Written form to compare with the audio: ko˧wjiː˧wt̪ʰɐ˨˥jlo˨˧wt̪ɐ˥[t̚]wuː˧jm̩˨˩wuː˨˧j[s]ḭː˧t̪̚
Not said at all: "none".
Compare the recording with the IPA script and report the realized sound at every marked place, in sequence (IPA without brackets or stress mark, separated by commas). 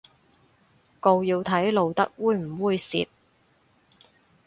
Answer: k̚, s